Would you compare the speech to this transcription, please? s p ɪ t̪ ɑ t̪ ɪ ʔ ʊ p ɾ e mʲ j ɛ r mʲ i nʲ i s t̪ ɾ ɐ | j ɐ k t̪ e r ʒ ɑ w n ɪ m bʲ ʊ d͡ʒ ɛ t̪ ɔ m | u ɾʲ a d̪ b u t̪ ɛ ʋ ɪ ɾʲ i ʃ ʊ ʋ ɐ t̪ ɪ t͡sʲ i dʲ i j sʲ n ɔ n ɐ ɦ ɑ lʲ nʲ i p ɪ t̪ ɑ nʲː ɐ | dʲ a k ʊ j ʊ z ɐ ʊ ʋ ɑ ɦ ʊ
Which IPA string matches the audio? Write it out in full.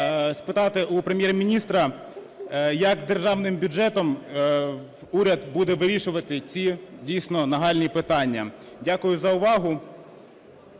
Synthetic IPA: s p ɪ t̪ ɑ t̪ ɪ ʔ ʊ p ɾ e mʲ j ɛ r mʲ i nʲ i s t̪ ɾ ɐ | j ɐ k d̪ e r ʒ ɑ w n ɪ m bʲ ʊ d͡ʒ ɛ t̪ ɔ m | u ɾʲ ɐ d̪ b u d̪ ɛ ʋ ɪ ɾʲ i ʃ ʊ ʋ ɐ t̪ ɪ t͡sʲ i dʲ i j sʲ n ɔ n ɐ ɦ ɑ lʲ nʲ i p ɪ t̪ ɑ nʲː ɐ | dʲ a k ʊ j ʊ z ɐ ʊ ʋ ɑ ɦ ʊ